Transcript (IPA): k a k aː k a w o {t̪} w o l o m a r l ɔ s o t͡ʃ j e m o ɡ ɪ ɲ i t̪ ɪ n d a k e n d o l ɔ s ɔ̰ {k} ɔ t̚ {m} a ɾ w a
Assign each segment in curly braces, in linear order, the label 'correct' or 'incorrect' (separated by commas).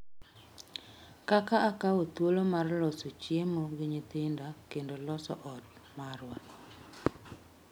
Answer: correct, incorrect, correct